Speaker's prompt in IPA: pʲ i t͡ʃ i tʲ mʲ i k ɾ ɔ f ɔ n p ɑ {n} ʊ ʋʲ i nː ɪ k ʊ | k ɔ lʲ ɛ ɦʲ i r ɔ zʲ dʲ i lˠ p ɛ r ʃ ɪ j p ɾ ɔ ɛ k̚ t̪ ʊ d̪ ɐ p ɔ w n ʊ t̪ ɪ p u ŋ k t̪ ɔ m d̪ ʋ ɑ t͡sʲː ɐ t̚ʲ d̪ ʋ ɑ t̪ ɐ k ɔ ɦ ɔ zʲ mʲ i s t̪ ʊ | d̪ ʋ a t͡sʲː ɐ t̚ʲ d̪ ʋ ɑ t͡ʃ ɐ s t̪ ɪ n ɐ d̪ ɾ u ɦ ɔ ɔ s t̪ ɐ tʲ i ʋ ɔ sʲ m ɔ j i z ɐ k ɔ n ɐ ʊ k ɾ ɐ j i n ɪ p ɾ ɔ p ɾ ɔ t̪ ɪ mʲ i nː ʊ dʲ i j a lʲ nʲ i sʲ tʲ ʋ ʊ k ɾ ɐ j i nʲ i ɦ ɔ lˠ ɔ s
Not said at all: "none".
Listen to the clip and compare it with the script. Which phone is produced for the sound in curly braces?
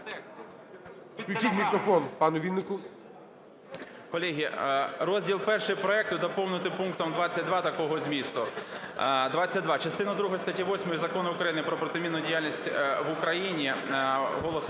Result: n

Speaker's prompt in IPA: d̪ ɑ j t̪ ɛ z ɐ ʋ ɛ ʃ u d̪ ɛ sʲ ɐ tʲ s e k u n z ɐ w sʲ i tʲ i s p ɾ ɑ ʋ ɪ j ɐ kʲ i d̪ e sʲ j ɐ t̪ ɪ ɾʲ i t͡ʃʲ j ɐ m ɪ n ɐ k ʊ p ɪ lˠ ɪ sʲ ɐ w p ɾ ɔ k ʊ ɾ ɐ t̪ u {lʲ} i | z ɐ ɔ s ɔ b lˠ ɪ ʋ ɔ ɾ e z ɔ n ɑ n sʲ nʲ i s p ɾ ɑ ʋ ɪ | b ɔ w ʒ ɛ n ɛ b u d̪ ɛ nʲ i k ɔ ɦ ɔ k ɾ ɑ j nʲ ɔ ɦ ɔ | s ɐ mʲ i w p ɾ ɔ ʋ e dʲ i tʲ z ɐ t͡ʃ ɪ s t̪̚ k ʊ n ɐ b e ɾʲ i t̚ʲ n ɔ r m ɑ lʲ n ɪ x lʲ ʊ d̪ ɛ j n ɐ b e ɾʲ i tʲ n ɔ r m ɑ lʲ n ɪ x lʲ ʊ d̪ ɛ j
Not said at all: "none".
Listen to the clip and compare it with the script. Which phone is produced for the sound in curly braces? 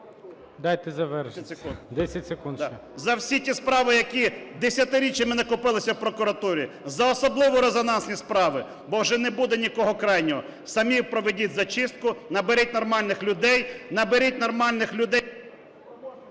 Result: ɾʲ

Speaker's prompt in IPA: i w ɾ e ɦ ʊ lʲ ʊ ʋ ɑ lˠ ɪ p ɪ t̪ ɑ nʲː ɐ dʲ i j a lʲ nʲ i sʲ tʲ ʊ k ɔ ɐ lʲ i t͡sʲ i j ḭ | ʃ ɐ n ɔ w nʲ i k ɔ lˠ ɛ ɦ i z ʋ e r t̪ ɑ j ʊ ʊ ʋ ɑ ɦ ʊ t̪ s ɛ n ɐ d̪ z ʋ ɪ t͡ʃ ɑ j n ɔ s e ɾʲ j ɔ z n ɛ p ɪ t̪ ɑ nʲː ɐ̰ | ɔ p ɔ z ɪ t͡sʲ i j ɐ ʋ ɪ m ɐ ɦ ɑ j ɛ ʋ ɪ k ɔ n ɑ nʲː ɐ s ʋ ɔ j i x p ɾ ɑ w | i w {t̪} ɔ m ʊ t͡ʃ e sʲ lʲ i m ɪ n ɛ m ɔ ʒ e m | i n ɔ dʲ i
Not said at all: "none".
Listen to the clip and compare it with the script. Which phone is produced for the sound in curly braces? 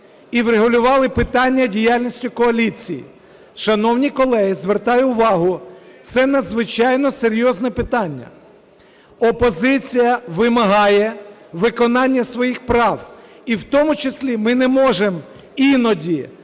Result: t̪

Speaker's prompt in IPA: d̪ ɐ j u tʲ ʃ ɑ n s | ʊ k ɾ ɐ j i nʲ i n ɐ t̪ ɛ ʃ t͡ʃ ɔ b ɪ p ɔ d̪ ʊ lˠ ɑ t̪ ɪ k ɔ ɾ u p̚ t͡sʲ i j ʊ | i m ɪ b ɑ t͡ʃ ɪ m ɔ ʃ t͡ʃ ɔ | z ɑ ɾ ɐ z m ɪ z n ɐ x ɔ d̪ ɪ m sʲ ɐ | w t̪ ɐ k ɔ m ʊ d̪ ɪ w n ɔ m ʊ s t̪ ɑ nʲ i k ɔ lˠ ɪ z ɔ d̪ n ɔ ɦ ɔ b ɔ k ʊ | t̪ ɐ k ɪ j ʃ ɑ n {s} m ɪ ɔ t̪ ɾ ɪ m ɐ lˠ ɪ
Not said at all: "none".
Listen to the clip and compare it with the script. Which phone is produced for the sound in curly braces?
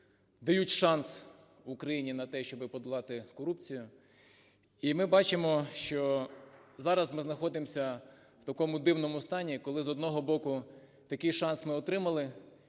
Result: s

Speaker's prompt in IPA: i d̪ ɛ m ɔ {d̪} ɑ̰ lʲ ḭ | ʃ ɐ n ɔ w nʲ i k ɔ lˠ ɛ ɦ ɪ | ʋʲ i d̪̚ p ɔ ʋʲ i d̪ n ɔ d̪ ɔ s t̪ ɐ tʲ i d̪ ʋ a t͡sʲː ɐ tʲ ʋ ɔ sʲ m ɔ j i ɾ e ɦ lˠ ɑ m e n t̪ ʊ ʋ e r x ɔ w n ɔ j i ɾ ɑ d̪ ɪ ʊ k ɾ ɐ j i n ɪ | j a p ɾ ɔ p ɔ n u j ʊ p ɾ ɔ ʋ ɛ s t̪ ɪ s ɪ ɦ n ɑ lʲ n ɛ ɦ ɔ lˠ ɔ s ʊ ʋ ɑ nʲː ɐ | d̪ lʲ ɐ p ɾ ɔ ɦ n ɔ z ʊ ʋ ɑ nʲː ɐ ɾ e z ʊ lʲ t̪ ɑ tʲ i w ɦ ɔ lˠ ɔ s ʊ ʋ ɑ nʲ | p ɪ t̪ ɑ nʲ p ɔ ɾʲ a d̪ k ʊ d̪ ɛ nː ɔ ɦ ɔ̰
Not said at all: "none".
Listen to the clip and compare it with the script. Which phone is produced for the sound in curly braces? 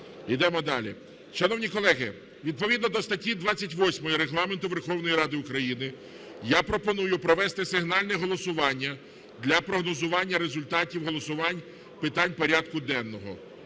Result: d̪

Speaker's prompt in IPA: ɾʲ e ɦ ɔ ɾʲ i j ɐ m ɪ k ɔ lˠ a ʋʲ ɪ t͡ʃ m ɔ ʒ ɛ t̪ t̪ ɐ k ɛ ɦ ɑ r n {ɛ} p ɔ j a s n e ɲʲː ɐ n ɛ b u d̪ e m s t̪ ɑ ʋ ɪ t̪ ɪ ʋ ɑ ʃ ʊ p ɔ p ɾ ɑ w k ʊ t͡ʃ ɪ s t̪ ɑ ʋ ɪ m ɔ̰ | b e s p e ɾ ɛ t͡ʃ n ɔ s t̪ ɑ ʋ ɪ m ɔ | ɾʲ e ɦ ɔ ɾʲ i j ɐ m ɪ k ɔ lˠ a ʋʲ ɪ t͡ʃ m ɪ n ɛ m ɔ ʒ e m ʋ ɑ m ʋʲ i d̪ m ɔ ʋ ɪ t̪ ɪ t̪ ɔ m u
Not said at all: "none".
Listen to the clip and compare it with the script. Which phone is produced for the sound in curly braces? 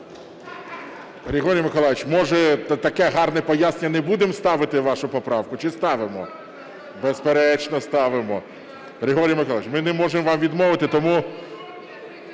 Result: ɛ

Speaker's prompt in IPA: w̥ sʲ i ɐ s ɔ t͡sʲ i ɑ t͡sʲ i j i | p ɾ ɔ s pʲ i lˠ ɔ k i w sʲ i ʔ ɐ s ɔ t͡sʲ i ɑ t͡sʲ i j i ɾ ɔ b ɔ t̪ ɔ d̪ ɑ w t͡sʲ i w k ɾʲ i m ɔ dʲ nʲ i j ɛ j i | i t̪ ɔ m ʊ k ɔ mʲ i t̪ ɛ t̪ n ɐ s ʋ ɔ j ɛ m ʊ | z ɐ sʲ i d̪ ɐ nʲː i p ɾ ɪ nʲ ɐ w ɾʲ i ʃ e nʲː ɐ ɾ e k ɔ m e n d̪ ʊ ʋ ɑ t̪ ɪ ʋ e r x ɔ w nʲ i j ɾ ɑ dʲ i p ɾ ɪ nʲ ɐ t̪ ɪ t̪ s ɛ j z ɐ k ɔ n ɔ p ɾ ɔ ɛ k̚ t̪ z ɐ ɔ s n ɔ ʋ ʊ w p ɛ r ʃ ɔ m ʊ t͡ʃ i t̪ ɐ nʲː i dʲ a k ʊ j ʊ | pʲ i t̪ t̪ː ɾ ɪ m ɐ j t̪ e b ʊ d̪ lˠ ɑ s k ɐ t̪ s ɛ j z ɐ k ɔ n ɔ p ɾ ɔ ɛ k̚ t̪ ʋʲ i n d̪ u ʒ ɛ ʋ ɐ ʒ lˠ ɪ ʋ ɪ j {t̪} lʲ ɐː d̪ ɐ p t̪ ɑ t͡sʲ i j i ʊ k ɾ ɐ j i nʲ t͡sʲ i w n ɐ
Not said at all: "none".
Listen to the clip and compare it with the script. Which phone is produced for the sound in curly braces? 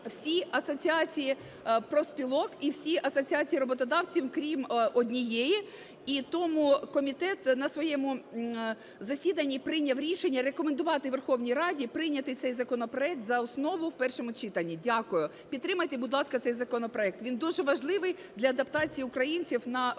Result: d̪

